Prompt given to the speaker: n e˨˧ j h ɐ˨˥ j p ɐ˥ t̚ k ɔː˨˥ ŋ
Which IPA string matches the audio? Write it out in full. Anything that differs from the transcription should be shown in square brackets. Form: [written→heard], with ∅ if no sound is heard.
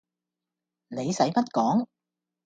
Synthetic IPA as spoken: n e˨˧ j [h→s] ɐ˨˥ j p ɐ˥ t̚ k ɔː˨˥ ŋ